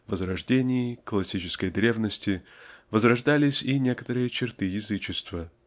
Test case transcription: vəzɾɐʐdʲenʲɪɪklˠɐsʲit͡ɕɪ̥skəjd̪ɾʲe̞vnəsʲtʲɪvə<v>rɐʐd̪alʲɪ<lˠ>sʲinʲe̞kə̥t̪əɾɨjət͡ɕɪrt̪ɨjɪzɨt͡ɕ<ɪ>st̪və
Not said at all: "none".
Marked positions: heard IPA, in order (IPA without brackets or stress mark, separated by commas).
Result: z, none, ɪ